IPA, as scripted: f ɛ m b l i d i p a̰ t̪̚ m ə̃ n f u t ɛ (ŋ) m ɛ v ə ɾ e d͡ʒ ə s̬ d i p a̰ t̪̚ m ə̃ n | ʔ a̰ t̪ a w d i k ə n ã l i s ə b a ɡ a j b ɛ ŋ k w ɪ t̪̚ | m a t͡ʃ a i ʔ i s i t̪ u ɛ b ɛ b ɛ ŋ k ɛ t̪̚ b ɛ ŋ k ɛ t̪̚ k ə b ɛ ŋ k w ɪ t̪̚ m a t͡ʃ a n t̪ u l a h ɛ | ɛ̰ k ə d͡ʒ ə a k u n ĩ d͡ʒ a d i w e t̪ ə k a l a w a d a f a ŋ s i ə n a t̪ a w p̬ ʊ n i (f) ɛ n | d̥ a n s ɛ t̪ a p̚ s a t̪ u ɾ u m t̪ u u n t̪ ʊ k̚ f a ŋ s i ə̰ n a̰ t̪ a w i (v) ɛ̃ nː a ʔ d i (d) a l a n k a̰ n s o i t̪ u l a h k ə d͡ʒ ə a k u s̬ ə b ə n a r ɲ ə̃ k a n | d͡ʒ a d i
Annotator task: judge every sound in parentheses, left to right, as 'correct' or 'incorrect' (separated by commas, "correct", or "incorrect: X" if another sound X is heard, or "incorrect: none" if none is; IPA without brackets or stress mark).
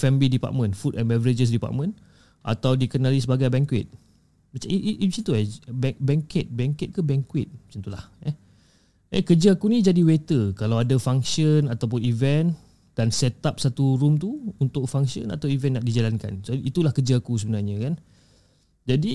incorrect: n, incorrect: v, correct, incorrect: d͡ʒ